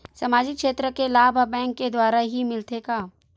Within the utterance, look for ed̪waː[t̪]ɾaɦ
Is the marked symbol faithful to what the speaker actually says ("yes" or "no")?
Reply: no